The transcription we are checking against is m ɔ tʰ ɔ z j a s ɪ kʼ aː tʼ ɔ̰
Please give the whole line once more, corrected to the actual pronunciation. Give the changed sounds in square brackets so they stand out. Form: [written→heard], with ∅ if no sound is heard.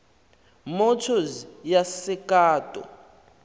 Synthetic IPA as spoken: m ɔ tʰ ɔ z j a s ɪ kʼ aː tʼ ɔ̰